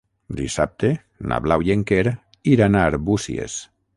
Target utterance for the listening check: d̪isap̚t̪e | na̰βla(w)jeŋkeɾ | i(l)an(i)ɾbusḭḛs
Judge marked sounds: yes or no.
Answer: yes, no, no

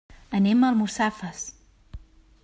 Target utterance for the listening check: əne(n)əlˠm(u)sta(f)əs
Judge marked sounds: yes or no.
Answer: no, yes, yes

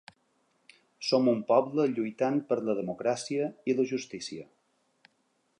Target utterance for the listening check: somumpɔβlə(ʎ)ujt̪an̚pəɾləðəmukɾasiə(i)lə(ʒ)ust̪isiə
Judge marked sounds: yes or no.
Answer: yes, yes, yes

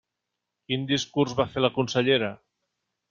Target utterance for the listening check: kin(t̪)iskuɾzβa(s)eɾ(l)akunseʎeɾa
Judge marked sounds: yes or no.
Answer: no, no, yes

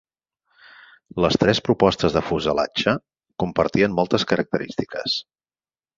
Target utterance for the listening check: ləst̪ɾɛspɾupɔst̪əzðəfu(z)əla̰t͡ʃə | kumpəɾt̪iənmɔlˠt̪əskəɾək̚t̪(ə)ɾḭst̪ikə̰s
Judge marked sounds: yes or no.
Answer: yes, yes

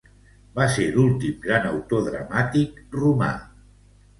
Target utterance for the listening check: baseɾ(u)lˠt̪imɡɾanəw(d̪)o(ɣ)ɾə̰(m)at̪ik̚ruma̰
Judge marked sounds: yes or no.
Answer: yes, no, no, yes

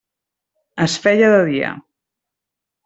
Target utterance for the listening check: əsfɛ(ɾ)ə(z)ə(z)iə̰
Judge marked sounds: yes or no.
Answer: no, no, no

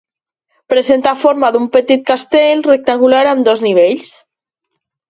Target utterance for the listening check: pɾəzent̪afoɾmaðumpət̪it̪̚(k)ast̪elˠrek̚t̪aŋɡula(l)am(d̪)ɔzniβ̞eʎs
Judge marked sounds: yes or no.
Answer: yes, no, yes

